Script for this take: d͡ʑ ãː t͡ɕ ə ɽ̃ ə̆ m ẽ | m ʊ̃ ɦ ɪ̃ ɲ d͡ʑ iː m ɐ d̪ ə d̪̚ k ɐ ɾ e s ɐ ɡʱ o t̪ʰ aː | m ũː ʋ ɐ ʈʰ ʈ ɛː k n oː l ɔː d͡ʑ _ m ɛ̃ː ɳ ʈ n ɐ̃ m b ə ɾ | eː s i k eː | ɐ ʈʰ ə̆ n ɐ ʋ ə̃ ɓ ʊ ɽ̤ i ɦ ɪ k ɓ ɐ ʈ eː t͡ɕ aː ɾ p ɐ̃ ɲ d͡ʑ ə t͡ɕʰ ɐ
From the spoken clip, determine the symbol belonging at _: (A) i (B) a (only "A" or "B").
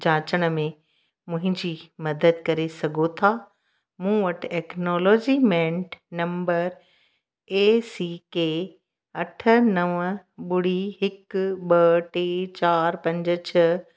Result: A